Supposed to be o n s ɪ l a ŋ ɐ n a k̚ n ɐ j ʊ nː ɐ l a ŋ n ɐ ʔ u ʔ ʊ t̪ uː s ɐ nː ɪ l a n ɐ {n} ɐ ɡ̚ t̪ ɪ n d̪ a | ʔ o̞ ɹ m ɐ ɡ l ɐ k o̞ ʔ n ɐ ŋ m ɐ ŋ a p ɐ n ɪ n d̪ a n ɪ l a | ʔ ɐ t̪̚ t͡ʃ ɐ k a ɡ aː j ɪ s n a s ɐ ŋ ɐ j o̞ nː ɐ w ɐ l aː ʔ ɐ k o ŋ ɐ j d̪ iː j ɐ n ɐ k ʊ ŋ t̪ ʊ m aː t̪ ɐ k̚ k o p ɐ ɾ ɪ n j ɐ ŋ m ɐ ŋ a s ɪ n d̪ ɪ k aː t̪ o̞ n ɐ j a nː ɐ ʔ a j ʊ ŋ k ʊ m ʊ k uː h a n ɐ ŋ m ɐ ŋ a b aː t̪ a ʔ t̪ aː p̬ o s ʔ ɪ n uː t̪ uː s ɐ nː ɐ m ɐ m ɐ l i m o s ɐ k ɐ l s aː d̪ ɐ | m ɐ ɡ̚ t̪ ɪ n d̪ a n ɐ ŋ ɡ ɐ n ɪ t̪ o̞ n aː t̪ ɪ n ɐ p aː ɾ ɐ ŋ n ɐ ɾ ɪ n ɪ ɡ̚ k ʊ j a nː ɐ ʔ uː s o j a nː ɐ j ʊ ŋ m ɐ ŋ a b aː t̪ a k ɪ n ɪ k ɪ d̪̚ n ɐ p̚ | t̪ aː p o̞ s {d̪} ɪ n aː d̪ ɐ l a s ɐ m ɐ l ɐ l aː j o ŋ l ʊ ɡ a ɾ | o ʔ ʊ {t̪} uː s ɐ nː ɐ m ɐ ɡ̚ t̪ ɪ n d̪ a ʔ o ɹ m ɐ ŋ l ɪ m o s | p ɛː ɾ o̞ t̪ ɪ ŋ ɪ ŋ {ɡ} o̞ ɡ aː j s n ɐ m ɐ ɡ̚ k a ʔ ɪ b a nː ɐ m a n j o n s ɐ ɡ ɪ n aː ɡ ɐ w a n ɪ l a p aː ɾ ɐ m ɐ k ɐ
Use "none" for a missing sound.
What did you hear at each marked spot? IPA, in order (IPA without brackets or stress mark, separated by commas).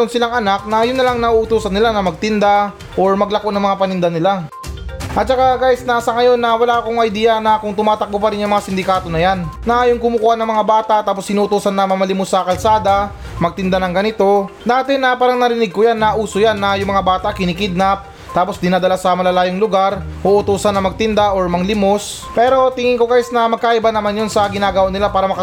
m, d̪, t̪, k